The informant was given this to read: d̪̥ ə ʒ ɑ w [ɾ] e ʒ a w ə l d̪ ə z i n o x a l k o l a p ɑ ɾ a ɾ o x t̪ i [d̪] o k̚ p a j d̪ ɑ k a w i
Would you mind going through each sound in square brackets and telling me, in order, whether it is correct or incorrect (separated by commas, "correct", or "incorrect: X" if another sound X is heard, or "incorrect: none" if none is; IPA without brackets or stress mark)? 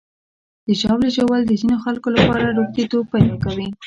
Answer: incorrect: l, incorrect: t̪